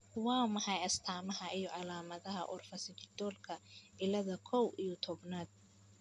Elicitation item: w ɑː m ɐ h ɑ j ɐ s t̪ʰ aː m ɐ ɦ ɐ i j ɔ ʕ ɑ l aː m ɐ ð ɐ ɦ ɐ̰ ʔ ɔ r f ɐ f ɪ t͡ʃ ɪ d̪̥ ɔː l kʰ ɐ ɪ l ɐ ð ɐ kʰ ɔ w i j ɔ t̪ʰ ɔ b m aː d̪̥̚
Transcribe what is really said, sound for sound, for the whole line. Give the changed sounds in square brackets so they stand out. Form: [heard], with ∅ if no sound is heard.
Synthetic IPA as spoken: w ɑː m ɐ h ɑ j ɐ s t̪ʰ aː m ɐ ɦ ɐ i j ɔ ʕ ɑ l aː m ɐ ð ɐ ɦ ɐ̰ ʔ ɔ r f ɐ [s] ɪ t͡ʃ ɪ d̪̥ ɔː l kʰ ɐ ɪ l ɐ ð ɐ kʰ ɔ w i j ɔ t̪ʰ ɔ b [n] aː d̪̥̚